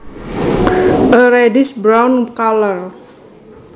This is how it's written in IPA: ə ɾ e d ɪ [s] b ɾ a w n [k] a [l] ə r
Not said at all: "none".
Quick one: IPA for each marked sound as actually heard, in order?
s, k, l

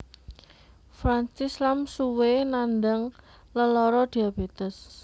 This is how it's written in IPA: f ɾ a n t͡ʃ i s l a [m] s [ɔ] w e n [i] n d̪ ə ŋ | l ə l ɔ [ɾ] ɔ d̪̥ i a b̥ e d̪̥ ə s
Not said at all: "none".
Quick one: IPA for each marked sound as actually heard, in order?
m, u, a, ɾ

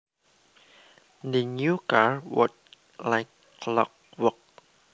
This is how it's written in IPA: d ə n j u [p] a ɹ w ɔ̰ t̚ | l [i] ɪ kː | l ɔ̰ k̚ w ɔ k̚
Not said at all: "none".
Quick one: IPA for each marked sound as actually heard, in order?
k, a

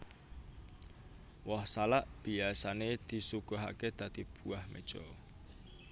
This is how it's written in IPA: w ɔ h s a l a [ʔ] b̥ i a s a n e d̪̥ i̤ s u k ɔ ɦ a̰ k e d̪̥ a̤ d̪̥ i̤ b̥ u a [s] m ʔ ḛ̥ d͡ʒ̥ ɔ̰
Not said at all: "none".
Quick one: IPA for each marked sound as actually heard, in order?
ʔ, h

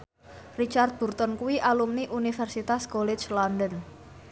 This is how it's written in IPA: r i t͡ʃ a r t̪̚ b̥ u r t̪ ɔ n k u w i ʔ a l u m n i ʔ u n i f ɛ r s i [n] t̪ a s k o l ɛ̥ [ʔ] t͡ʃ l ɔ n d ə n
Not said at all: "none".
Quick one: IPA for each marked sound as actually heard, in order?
none, none

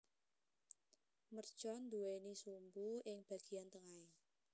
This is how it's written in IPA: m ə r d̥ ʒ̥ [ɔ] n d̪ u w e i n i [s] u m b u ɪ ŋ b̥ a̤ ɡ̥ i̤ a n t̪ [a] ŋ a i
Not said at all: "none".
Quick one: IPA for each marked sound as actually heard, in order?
ɔ, s, ə

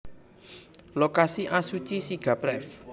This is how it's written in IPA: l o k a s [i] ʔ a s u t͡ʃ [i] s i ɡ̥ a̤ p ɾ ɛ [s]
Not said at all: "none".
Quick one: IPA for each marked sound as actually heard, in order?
i, i, f

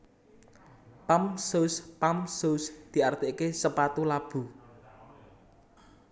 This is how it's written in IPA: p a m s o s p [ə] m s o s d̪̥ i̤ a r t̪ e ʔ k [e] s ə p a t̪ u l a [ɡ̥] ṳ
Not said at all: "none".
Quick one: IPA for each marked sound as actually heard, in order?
a, e, b̥

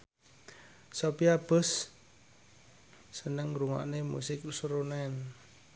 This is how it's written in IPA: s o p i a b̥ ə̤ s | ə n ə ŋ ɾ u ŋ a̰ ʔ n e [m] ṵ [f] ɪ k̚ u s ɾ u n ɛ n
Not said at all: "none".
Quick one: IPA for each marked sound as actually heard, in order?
m, s

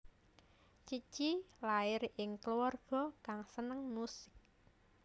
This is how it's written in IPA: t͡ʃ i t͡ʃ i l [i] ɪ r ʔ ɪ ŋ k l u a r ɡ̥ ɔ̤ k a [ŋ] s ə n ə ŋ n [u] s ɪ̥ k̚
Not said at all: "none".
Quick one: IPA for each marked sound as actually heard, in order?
a, ŋ, u

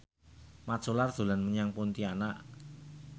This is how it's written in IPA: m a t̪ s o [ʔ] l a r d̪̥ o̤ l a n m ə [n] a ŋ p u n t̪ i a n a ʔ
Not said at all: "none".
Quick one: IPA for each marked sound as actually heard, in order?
none, ɲ

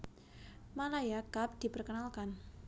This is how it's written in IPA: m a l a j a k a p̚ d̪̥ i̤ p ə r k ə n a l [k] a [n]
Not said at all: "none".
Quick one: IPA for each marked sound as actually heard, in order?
k, n

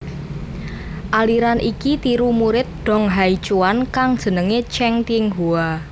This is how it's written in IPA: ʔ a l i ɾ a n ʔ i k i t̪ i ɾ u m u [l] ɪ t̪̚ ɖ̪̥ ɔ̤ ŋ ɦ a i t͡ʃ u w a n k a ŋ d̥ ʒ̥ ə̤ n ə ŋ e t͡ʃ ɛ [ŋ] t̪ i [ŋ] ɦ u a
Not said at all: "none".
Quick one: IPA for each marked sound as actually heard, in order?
ɾ, ŋ, ŋ

